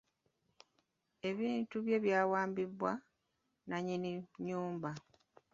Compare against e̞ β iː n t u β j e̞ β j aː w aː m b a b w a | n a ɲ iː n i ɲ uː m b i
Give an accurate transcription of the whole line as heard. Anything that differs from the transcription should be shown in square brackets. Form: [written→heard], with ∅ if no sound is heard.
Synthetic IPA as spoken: e̞ β iː n t u β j e̞ β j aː w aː m b [a→i] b w a | n a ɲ [iː→i] n i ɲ uː m b [i→a]